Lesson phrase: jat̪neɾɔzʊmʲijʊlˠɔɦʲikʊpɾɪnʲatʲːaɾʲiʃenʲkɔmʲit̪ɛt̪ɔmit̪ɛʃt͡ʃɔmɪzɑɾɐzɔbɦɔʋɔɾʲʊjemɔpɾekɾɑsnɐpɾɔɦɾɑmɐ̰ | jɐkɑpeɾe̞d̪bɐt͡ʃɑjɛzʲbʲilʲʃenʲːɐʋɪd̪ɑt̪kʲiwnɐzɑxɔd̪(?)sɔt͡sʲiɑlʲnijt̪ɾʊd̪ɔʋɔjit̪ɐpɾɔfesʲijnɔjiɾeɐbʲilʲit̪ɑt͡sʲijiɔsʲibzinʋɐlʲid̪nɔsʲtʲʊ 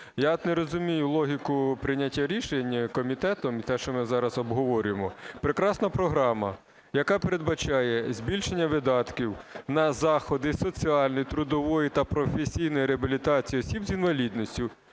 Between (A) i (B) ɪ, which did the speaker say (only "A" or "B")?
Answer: B